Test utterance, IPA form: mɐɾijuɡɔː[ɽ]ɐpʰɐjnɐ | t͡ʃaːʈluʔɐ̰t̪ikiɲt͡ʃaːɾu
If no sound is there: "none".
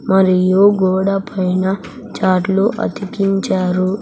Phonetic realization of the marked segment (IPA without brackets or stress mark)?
ɽ